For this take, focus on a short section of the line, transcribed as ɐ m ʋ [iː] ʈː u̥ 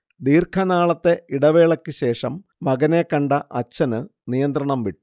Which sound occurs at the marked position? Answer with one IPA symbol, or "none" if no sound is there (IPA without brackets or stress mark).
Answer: i